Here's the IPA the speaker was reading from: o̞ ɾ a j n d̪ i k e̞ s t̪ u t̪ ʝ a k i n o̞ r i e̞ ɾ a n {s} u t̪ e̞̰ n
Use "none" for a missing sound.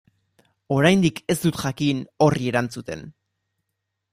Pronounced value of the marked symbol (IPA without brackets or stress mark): t͡s